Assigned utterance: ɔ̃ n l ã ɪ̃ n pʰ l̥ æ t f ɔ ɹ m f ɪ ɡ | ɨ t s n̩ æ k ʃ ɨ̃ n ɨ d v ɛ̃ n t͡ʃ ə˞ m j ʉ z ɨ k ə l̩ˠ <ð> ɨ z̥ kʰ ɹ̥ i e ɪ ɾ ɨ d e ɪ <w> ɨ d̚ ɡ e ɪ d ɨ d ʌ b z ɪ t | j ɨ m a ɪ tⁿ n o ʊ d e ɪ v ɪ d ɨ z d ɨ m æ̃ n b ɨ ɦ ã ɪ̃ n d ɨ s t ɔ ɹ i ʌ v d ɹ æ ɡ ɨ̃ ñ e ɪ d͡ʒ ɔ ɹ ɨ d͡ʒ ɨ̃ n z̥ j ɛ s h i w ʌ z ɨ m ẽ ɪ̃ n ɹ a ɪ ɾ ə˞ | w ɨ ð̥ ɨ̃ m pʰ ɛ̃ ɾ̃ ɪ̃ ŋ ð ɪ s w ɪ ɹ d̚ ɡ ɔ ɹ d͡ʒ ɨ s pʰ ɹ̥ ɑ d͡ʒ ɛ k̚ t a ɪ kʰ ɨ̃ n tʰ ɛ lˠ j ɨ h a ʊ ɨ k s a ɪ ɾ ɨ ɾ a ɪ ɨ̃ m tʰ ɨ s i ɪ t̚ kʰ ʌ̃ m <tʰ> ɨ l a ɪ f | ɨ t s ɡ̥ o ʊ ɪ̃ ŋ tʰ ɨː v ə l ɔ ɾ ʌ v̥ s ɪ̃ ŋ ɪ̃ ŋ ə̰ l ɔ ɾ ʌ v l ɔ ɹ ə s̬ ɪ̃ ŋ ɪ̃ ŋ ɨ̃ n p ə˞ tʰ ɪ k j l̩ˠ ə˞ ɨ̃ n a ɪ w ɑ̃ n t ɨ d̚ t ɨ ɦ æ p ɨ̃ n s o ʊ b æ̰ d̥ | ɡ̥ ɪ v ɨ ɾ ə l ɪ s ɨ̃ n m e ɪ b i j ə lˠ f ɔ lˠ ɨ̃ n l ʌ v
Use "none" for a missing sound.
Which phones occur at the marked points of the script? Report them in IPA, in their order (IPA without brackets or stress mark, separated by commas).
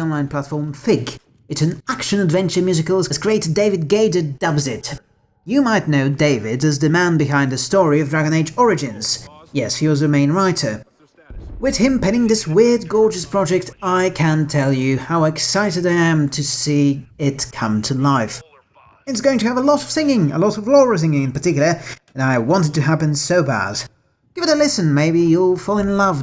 z, v, tʰ